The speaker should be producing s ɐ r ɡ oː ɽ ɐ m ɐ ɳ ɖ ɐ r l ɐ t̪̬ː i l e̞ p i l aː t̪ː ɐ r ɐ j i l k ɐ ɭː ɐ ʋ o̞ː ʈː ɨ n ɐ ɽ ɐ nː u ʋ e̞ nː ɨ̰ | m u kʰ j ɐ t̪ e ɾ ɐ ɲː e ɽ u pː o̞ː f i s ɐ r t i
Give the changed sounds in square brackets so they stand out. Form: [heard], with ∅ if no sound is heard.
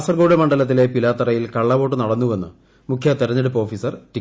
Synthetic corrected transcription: s ɐ r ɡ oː ɽ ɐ m ɐ ɳ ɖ ɐ [∅] l ɐ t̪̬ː i l e̞ p i l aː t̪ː ɐ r ɐ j i l k ɐ ɭː ɐ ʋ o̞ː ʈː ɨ n ɐ ɽ ɐ nː u ʋ e̞ nː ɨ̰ | m u kʰ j ɐ t̪ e ɾ ɐ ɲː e ɽ u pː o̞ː f i s ɐ r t i